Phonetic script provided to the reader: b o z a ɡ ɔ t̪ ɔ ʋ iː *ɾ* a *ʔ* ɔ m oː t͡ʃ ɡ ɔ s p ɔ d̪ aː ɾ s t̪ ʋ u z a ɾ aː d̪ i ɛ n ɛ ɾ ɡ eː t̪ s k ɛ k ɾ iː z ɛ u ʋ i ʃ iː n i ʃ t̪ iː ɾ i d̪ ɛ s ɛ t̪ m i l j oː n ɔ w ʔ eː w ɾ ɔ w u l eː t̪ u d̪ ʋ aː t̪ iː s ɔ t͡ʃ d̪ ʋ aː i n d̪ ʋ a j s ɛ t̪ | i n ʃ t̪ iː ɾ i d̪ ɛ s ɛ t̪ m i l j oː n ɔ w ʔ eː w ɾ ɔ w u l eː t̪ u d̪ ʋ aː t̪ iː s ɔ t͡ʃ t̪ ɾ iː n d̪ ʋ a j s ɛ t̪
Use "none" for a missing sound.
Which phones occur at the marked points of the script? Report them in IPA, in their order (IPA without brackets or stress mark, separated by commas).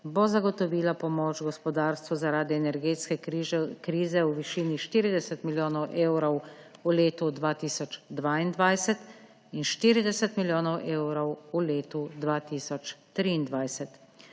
l, p